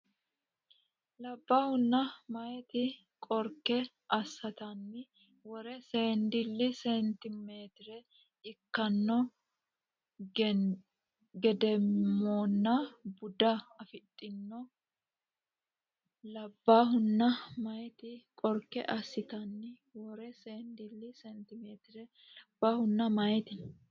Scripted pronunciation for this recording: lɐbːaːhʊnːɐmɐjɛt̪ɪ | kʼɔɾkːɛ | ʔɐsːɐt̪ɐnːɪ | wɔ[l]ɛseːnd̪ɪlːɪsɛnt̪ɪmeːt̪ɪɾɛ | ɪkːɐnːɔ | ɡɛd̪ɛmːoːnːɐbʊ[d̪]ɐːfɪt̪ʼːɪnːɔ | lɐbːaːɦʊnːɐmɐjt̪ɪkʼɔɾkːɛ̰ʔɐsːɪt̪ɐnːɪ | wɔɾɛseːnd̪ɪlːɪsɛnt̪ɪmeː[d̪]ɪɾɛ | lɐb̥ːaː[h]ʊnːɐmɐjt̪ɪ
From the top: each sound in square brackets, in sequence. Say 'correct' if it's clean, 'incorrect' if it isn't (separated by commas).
incorrect, correct, incorrect, correct